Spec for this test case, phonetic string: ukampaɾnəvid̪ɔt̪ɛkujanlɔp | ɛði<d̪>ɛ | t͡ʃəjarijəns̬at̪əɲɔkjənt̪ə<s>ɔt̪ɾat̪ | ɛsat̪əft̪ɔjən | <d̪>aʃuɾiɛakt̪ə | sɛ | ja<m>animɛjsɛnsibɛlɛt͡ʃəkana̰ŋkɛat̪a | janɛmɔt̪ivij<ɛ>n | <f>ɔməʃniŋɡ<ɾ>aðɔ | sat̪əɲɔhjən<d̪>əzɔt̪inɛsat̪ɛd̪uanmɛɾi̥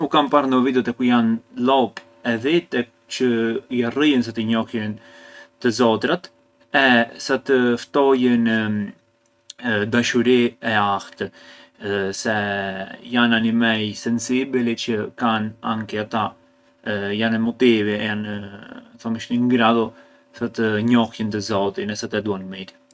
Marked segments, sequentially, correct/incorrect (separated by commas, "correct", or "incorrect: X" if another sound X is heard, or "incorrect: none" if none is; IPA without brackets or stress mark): incorrect: t̪, incorrect: z, correct, incorrect: n, incorrect: a, incorrect: θ, correct, incorrect: t̪